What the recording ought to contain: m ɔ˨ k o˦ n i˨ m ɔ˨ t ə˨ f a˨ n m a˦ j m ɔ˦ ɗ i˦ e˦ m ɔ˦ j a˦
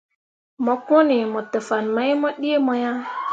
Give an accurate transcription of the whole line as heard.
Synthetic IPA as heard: m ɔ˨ k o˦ n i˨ m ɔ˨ t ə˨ f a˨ n m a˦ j m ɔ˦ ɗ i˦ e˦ m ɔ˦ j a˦